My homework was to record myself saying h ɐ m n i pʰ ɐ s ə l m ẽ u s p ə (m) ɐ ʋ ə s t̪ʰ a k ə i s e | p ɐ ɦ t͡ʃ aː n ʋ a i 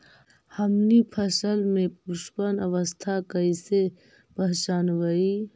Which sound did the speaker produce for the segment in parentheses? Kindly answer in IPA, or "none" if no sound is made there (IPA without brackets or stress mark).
n